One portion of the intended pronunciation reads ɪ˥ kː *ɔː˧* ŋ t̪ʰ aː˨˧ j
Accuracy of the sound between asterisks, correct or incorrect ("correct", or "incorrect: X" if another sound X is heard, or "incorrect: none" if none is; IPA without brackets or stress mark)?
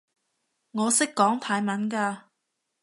incorrect: ɔː˨˥